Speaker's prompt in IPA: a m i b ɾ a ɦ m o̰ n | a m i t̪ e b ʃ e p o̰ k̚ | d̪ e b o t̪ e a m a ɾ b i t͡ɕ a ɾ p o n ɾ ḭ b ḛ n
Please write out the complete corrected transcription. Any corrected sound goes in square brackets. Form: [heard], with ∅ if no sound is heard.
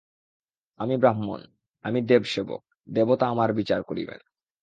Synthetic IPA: a m i b ɾ a ɦ m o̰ n | a m i [d̪] e b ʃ e [b] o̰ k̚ | d̪ e b o t̪ [a] a m a ɾ b i t͡ɕ a ɾ [k] o [∅] ɾ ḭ b ḛ n

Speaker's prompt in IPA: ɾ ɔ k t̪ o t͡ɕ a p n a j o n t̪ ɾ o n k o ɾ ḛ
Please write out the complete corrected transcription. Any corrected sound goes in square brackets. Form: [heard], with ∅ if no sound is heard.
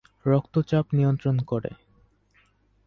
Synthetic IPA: ɾ ɔ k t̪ o t͡ɕ a p n [i] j o n t̪ ɾ o n k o ɾ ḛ

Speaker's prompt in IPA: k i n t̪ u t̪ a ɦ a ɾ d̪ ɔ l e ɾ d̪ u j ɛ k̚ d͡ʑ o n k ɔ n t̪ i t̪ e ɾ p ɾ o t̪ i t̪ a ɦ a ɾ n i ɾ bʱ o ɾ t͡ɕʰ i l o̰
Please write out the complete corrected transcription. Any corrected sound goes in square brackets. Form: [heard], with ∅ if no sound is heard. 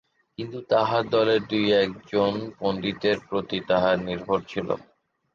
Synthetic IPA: k i n t̪ u t̪ a ɦ a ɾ d̪ ɔ l e ɾ d̪ u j ɛ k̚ d͡ʑ o n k [o] n [d̪] i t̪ e ɾ p ɾ o t̪ i t̪ a ɦ a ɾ n i ɾ bʱ o ɾ t͡ɕʰ i l o̰

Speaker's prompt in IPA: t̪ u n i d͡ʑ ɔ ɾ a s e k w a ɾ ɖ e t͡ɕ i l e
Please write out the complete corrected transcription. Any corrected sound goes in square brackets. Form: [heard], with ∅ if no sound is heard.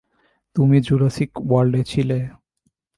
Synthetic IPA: t̪ u [m] i d͡ʑ [u] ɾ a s [i] k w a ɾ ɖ e [t͡ɕʰ] i l e

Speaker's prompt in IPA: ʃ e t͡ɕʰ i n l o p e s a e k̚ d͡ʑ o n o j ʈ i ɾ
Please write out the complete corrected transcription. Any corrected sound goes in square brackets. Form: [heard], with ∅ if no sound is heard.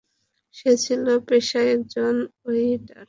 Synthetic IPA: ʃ e t͡ɕʰ i [∅] l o p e [ʃ] a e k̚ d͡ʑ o n o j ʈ [a] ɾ

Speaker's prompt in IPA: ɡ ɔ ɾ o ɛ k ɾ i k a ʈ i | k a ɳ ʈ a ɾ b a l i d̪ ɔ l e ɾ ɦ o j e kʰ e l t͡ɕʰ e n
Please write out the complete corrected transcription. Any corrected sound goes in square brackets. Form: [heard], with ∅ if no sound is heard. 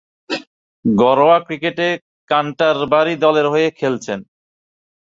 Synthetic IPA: ɡ ɔ ɾ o [a] k ɾ i k [e] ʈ [e] | k a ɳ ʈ a ɾ b a [ɾ] i d̪ ɔ l e ɾ ɦ o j e kʰ e l t͡ɕʰ e n

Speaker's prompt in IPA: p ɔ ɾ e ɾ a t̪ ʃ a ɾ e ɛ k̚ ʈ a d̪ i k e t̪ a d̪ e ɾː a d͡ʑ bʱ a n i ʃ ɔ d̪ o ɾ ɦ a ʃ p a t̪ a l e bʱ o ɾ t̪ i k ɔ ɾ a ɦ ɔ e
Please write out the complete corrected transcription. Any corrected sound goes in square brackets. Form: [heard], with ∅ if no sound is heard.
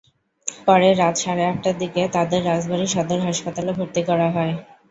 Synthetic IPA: p ɔ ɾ e ɾ a t̪ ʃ a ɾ e ɛ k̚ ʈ a d̪ i k e t̪ a d̪ e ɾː a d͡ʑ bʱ a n i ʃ ɔ d̪ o ɾ ɦ a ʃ p a t̪ a l e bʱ o ɾ t̪ i k ɔ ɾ a ɦ ɔ e

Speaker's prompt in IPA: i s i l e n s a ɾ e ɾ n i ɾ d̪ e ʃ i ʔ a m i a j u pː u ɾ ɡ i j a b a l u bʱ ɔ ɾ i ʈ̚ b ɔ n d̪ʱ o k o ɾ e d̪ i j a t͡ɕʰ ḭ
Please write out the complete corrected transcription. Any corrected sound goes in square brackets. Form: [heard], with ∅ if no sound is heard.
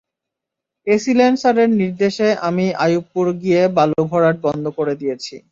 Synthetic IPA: [e] s i l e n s a ɾ e ɾ n i ɾ d̪ e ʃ [e] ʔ a m i a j u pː u ɾ ɡ i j [e] b a l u bʱ ɔ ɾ [a] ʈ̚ b ɔ n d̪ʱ o k o ɾ e d̪ i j [e] t͡ɕʰ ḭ

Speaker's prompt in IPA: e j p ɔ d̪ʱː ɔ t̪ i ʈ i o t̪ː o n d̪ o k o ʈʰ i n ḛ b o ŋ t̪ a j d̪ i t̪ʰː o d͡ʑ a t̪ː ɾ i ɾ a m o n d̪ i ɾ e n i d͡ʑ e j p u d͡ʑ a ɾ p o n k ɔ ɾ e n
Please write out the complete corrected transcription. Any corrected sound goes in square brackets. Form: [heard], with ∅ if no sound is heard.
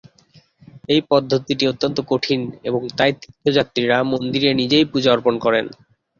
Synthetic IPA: e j p ɔ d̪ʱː [o] t̪ i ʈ i o t̪ː o n [t̪] o k o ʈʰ i n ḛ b o ŋ t̪ a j [t̪] i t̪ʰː o d͡ʑ a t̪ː ɾ i ɾ a m o n d̪ i ɾ e n i d͡ʑ e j p u d͡ʑ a ɾ p o n k ɔ ɾ e n

